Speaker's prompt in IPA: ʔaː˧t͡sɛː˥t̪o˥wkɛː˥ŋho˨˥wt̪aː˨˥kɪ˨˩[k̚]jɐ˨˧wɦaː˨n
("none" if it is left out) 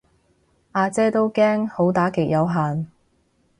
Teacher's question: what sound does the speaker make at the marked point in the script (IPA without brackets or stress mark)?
k̚